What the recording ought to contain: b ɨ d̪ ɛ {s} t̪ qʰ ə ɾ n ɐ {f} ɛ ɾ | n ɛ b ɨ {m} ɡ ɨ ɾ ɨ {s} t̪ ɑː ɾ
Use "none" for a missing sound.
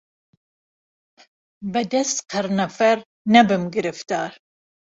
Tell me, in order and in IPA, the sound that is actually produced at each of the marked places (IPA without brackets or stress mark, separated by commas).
s, f, m, f